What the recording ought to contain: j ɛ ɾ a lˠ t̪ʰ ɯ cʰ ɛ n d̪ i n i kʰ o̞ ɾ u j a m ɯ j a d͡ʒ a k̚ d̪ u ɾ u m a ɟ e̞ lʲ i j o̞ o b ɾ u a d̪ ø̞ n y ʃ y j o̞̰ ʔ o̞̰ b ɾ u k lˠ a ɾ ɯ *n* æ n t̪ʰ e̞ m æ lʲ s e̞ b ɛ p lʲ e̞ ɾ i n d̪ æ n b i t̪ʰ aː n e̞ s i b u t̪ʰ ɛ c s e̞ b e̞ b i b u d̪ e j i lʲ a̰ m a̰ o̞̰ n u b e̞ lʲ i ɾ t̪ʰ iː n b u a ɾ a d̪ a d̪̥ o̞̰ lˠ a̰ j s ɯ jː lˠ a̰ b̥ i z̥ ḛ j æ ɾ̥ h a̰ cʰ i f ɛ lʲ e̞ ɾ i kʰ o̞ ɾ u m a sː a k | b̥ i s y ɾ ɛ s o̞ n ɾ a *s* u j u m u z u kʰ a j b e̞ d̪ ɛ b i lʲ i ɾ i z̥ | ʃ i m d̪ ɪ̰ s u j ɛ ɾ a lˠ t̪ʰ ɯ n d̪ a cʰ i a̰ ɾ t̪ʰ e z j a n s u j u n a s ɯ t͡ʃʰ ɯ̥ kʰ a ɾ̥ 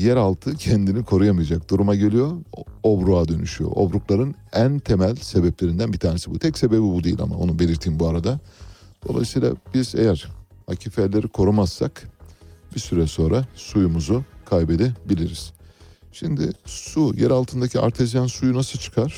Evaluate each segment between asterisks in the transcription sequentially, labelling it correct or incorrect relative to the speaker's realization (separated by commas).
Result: correct, correct